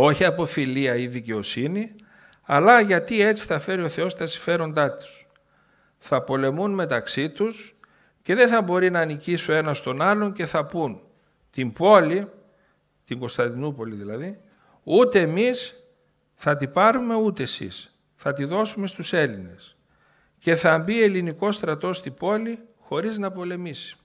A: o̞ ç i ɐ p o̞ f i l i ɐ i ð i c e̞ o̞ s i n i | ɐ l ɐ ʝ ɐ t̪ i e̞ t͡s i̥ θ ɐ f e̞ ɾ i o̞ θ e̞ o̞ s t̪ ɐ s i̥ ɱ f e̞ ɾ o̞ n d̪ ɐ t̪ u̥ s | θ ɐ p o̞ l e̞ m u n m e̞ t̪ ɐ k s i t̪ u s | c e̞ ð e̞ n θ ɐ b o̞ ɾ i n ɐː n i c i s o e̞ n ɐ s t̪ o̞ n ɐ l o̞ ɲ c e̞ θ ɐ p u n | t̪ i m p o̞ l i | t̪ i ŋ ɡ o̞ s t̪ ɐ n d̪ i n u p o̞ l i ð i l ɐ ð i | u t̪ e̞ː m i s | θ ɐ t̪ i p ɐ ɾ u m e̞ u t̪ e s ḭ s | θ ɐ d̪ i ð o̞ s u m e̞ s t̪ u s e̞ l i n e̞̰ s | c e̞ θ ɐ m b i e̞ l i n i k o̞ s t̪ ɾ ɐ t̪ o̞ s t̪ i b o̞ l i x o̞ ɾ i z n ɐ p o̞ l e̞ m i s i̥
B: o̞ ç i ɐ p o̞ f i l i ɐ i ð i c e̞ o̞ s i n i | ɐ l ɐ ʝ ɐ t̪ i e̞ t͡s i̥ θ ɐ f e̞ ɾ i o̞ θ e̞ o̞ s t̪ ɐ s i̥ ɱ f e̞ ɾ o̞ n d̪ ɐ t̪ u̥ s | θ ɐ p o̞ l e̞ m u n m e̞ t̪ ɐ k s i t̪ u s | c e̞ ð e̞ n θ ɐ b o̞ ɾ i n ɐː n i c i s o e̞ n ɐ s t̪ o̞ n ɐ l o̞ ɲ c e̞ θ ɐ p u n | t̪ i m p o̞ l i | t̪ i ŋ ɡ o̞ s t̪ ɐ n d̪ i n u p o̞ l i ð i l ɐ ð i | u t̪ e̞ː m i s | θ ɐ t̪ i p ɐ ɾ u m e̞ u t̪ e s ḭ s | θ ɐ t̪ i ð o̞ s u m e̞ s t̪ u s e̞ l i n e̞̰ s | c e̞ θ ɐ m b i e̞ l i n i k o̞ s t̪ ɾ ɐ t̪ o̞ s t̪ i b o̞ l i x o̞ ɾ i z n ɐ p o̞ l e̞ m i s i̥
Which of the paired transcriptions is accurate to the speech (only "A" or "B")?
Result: B